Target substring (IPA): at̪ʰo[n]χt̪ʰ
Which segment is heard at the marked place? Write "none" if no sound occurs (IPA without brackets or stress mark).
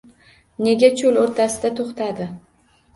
none